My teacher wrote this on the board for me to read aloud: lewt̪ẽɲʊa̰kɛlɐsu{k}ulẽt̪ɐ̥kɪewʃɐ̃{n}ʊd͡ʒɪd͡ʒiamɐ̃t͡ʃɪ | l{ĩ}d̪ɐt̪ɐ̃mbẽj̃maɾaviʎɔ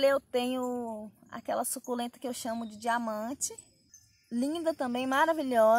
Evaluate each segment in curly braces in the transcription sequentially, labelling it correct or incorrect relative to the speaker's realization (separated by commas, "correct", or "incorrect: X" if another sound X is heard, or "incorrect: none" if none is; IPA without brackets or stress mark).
correct, incorrect: m, correct